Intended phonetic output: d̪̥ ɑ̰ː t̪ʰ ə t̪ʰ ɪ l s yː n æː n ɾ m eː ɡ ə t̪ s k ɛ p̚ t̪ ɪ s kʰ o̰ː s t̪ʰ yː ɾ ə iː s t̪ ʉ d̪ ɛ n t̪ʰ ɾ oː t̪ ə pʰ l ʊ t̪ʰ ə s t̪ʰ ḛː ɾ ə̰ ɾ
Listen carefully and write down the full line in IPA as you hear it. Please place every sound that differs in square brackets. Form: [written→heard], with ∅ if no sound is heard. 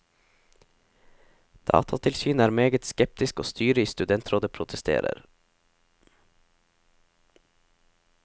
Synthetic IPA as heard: d̪̥ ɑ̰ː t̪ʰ [ə→ɑ] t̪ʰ ɪ l s yː n æː [n→∅] ɾ m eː ɡ ə t̪ s k ɛ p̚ t̪ ɪ s [kʰ→k] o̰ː s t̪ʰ yː ɾ ə iː s t̪ ʉ d̪ ɛ n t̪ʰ ɾ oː [t̪→d̪] ə pʰ [l→ɾ] ʊ t̪ʰ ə s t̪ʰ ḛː ɾ ə̰ ɾ

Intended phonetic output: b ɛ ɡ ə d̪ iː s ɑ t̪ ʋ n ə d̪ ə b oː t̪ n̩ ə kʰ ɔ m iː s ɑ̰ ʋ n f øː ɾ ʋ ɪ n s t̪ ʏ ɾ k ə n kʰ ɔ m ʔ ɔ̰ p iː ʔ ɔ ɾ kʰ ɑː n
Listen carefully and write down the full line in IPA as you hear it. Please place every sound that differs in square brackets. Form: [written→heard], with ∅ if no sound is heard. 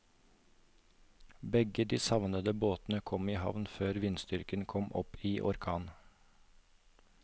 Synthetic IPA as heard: b ɛ ɡ ə d̪ iː s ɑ [t̪→∅] ʋ n ə d̪ ə b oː t̪ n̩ ə kʰ ɔ m iː [s→h] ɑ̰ ʋ n f øː ɾ ʋ ɪ n s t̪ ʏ ɾ k ə n kʰ ɔ m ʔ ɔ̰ p iː ʔ ɔ ɾ kʰ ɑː n

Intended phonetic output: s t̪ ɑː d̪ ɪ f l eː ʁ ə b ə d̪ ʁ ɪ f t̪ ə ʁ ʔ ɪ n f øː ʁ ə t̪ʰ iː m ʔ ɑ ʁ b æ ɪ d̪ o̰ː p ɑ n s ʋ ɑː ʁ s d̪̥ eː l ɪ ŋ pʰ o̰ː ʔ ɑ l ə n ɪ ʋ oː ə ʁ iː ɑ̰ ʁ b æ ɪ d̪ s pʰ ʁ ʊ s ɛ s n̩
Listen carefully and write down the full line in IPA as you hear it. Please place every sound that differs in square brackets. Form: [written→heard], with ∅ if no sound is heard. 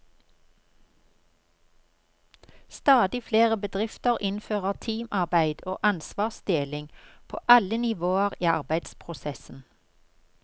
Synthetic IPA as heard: s t̪ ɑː d̪ ɪ f l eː ʁ ə b ə d̪ ʁ ɪ f t̪ ə ʁ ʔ ɪ n f øː ʁ ə t̪ʰ iː m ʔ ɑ ʁ b æ ɪ d̪ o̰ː [p→ʔ] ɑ n s ʋ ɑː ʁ s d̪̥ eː l ɪ ŋ pʰ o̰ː ʔ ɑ l ə n ɪ ʋ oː ə ʁ iː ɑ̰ ʁ b æ ɪ d̪ s pʰ ʁ ʊ s ɛ s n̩

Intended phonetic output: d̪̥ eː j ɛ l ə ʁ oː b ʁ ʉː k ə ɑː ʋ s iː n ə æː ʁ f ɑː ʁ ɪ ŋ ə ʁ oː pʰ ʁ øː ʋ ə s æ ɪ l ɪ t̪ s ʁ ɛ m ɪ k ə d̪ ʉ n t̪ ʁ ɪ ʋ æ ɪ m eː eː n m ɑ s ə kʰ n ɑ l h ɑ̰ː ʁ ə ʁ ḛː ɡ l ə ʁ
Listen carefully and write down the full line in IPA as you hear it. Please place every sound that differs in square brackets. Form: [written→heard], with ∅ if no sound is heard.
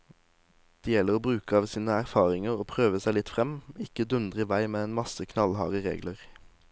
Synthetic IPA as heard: d̪̥ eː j ɛ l ə ʁ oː b ʁ ʉː k ə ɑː ʋ s iː n ə [æː→æ] ʁ f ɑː ʁ ɪ ŋ ə ʁ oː pʰ ʁ øː ʋ ə s æ ɪ l ɪ t̪ [s→f] ʁ ɛ m ɪ k ə d̪ ʉ n [t̪→d̪] ʁ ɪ ʋ æ ɪ m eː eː n m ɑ s ə kʰ n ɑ l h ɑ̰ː ʁ ə ʁ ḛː ɡ l ə ʁ

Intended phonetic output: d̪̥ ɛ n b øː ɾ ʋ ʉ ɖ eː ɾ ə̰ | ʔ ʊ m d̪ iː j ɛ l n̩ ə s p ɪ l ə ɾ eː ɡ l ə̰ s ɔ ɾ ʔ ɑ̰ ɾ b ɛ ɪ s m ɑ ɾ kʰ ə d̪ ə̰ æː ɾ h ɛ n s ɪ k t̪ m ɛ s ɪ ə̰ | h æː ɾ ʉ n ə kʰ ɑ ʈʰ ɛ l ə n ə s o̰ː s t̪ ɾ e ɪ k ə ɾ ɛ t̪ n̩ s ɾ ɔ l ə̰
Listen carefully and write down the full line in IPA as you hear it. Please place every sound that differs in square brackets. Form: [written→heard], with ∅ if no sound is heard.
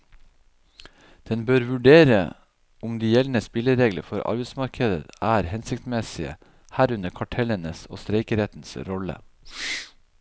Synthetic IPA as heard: d̪̥ ɛ n b øː ɾ ʋ ʉ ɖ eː ɾ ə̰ | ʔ ʊ m d̪ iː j ɛ l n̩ ə s p ɪ l ə ɾ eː ɡ l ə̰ [s→f] ɔ ɾ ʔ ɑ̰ ɾ b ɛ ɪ s m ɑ ɾ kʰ ə d̪ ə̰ æː ɾ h ɛ n s ɪ k t̪ m ɛ s ɪ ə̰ | h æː ɾ ʉ n ə kʰ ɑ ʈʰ ɛ l ə n ə s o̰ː s t̪ ɾ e ɪ k ə ɾ ɛ t̪ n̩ s ɾ ɔ l ə̰

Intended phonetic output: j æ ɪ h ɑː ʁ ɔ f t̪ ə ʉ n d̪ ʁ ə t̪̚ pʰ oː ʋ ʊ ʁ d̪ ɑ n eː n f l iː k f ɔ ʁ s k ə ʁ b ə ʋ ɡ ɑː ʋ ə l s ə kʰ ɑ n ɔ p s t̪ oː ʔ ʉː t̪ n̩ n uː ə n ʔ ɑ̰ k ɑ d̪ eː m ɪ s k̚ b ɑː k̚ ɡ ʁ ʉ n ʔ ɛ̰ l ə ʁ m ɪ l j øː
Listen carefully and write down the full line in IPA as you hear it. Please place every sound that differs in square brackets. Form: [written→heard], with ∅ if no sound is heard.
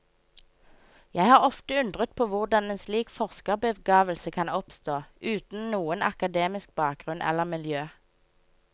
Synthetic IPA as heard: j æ ɪ h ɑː ʁ ɔ f t̪ ə ʉ n d̪ ʁ ə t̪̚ pʰ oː ʋ ʊ ʁ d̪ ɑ n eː n [f→s] l iː k f ɔ ʁ s k ə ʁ b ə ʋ ɡ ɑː ʋ ə l s ə kʰ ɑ n ɔ p s t̪ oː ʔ ʉː t̪ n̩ n uː ə n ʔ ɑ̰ k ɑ d̪ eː m ɪ s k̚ b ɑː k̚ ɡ ʁ ʉ n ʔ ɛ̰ l ə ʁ m ɪ l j øː

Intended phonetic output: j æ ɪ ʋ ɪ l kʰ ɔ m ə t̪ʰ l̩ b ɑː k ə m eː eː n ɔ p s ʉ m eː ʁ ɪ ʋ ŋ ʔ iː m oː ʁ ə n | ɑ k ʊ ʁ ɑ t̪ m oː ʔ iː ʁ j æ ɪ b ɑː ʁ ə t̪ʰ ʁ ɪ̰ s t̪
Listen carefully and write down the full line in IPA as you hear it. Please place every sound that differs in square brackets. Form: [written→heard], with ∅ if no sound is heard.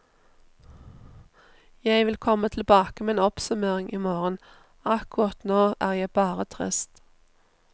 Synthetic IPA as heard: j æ ɪ ʋ ɪ l kʰ ɔ m ə t̪ʰ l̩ b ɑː k ə m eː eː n ɔ p s ʉ m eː ʁ ɪ [ʋ→∅] ŋ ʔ iː m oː ʁ ə n | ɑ k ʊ ʁ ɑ t̪ [m→n] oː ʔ [iː→æː] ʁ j æ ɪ b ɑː ʁ ə t̪ʰ ʁ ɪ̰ s t̪

